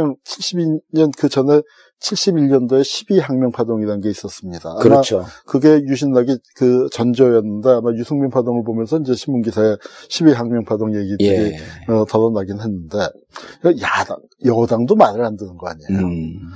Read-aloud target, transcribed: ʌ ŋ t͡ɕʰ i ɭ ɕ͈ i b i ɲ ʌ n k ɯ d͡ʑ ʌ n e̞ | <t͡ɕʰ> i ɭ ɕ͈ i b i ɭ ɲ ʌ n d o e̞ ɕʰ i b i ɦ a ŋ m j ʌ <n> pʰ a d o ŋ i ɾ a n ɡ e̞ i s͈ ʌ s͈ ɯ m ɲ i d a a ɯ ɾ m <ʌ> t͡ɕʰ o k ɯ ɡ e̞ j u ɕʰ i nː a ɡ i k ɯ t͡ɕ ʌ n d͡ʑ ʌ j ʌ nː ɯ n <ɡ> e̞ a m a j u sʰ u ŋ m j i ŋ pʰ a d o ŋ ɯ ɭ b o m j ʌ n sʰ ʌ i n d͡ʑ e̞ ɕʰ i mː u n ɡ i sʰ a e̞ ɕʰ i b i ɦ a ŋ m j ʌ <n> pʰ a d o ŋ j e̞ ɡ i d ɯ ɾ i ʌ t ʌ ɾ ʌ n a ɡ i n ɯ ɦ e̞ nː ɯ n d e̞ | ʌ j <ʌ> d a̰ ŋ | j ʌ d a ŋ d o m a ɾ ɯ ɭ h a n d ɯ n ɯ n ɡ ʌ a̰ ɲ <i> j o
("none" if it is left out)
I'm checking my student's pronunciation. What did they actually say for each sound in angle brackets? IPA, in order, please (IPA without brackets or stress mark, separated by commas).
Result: t͡ɕʰ, ŋ, a, d, ŋ, a, e